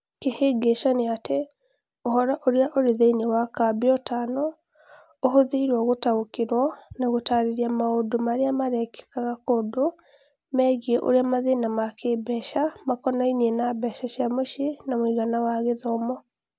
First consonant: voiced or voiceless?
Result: voiceless